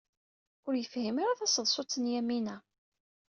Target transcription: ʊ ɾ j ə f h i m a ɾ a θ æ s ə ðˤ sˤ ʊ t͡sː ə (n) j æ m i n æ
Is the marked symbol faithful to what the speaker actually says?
yes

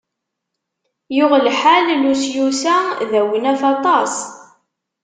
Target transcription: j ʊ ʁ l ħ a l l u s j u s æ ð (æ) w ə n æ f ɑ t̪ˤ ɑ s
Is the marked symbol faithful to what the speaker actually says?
yes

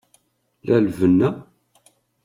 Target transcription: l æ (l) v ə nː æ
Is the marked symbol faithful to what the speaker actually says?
yes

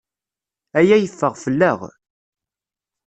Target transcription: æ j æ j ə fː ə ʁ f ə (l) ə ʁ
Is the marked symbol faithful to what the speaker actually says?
no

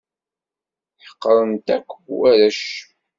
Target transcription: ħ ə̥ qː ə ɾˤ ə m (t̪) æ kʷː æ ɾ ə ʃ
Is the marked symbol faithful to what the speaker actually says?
yes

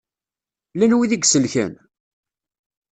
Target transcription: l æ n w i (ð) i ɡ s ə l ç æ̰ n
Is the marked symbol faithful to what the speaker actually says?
yes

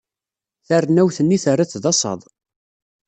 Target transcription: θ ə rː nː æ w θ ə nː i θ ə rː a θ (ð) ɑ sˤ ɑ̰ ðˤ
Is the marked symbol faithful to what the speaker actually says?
yes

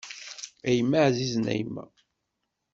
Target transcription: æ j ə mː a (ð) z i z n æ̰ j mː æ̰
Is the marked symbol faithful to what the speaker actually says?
no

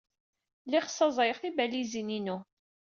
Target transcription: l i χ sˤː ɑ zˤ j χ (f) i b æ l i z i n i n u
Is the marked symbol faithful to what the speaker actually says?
no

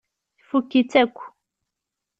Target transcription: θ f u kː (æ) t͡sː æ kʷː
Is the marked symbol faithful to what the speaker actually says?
no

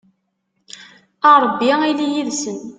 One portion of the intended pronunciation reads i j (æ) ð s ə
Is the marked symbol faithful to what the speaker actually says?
no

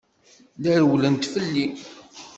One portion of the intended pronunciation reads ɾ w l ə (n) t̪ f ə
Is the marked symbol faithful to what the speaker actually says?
yes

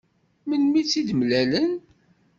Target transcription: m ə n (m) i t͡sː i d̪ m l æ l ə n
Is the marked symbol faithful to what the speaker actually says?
yes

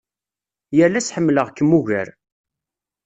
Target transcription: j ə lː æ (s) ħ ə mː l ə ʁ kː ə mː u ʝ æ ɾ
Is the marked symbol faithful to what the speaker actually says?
yes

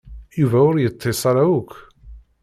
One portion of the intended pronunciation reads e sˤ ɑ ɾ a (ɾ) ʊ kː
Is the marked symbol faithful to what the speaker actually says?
no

